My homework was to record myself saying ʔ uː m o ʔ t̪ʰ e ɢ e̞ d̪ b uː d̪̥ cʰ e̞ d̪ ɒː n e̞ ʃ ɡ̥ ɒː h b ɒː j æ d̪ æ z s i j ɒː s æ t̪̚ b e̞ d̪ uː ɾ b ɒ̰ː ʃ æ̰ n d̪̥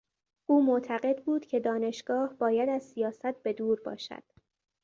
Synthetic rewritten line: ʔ uː m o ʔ t̪ʰ æ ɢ e̞ d̪ b uː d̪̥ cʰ e̞ d̪ ɒː n e̞ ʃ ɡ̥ ɒː h b ɒː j æ d̪ æ z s i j ɒː s æ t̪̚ b e̞ d̪ uː ɾ b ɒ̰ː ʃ æ̰ d̪̥